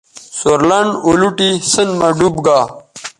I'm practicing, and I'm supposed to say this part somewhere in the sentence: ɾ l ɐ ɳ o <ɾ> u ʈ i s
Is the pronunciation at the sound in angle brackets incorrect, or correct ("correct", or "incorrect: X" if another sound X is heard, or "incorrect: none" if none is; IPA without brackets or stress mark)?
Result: incorrect: l